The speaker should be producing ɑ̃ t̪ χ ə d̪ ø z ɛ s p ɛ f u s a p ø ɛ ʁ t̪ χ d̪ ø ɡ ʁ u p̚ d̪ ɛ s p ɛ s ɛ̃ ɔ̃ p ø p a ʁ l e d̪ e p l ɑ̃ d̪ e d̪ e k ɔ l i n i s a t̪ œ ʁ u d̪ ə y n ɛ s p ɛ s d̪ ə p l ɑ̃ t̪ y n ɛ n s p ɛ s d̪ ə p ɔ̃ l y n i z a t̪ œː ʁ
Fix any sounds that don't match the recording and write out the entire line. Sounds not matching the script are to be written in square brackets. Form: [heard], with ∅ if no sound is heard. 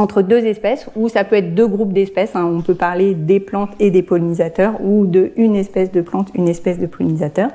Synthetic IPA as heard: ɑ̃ t̪ χ ə d̪ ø z ɛ s p ɛ [s] u s a p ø ɛ [∅] t̪ χ d̪ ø ɡ ʁ u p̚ d̪ ɛ s p ɛ s ɛ̃ ɔ̃ p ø p a ʁ l e d̪ e p l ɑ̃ [t̪] e d̪ e [p] ɔ l i n i [z] a t̪ œ ʁ u d̪ ə y n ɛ s p ɛ s d̪ ə p l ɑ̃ t̪ y n ɛ [∅] s p ɛ s d̪ ə p [ɔ] l [i] n i z a t̪ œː ʁ